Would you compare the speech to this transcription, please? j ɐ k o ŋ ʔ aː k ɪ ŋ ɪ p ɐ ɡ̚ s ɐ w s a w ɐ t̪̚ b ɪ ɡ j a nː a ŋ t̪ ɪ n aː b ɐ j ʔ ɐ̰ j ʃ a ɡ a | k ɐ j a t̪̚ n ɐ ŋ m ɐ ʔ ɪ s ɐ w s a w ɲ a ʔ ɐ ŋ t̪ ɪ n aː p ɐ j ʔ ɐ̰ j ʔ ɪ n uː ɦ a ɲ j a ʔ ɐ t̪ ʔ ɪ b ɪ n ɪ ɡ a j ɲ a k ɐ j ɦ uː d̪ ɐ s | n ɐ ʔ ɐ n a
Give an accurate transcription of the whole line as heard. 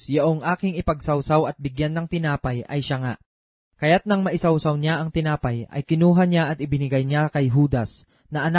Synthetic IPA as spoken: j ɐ ʔ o ŋ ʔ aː k ɪ ŋ ɪ p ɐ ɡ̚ s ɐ w s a w ɐ t̪̚ b ɪ ɡ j a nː ɐ ŋ t̪ ɪ n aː p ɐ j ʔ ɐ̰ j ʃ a ŋ a | k ɐ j a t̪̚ n ɐ ŋ m ɐ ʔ ɪ s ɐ w s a w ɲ a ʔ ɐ ŋ t̪ ɪ n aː p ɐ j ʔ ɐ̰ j k ɪ n uː ɦ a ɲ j a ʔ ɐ t̪ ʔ ɪ b ɪ n ɪ ɡ a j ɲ a k ɐ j ɦ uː d̪ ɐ s | n ɐ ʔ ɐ n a